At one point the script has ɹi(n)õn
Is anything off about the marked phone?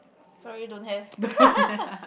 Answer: yes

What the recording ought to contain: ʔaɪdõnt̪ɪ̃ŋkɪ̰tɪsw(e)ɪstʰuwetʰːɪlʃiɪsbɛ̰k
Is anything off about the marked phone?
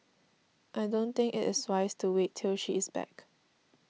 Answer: yes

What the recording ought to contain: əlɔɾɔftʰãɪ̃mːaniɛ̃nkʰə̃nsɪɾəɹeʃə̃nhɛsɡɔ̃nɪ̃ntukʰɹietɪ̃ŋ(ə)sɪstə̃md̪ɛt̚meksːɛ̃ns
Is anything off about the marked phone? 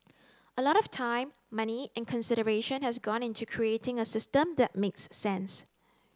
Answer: no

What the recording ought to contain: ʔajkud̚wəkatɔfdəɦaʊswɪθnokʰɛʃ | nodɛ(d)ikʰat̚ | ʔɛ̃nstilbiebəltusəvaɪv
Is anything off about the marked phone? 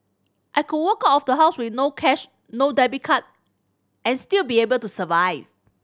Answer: yes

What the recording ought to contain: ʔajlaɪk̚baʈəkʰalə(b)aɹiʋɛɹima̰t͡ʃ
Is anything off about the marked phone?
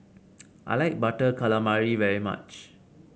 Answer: yes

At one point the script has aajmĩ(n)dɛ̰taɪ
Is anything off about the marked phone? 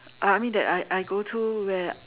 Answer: no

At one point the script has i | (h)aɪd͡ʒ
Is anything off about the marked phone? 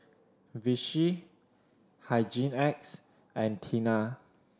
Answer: no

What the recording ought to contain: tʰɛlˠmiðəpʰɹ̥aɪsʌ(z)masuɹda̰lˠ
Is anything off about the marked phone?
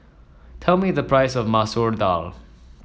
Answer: yes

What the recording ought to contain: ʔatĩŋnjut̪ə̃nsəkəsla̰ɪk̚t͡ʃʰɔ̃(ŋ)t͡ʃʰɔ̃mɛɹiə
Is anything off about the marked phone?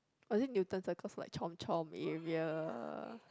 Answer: yes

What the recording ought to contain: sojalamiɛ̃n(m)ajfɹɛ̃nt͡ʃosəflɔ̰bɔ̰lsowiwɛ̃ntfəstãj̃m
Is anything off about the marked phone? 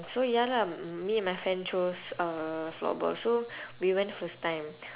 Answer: no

